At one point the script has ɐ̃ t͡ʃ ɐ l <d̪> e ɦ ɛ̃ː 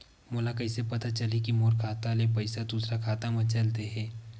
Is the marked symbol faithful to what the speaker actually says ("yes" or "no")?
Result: no